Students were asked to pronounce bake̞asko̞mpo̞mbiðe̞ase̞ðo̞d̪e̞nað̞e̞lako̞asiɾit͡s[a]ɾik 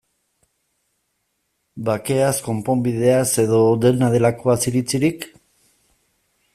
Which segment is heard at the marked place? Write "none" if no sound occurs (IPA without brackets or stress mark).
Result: i